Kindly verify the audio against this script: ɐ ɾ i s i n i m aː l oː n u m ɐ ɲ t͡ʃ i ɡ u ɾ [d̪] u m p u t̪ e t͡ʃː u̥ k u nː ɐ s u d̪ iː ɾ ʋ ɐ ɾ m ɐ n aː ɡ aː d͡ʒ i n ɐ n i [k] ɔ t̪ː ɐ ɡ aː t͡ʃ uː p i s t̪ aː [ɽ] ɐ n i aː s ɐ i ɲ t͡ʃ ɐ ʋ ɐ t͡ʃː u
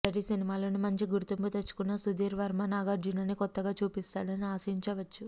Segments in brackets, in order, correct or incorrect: incorrect: t̪, correct, correct

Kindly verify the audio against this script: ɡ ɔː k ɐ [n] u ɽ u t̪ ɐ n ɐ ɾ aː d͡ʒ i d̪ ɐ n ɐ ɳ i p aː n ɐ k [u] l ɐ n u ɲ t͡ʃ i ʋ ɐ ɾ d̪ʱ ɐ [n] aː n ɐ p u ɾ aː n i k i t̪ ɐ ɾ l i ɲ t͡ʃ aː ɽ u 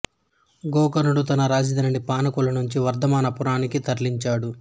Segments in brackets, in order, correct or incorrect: correct, correct, incorrect: m

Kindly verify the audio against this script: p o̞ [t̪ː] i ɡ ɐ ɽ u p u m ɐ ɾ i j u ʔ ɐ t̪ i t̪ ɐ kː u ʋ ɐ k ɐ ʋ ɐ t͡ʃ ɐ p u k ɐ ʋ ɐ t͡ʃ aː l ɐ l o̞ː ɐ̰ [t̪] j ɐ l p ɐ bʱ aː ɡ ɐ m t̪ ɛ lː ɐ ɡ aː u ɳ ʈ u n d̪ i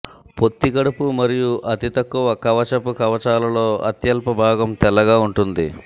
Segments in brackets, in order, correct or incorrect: correct, correct

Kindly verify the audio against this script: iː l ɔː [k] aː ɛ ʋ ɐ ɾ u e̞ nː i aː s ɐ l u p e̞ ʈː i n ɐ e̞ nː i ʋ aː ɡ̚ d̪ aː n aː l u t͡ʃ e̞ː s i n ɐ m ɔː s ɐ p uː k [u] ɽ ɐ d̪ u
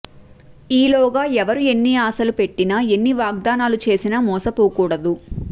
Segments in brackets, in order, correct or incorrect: incorrect: ɡ, incorrect: uː

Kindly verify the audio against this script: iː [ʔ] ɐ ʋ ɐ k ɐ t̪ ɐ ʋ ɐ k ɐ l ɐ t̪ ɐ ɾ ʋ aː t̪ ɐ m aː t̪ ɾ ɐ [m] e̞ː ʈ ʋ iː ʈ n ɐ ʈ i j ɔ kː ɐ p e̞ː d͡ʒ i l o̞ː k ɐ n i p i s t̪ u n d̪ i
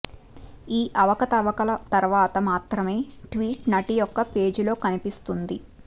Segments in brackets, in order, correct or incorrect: correct, correct

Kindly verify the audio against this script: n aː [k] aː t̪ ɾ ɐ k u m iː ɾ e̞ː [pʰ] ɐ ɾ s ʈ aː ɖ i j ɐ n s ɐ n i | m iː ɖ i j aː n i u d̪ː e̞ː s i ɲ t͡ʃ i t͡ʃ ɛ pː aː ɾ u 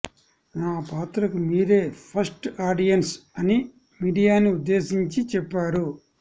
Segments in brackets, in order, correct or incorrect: incorrect: p, correct

